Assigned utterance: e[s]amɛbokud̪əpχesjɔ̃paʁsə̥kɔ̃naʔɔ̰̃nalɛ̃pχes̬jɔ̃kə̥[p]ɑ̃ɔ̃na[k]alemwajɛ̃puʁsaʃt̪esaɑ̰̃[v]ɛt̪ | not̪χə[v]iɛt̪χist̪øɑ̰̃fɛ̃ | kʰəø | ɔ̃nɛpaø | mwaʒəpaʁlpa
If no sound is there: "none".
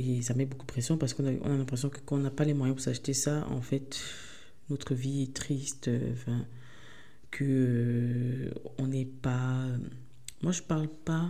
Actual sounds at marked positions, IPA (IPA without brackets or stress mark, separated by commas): s, k, p, f, v